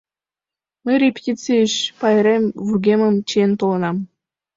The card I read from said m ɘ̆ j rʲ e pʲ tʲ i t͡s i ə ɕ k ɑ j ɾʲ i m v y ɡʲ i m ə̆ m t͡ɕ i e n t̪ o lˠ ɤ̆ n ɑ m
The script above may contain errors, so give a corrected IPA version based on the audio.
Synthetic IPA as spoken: m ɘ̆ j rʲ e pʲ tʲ i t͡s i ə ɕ p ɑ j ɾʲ e m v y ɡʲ e m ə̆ m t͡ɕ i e n t̪ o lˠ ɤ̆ n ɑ m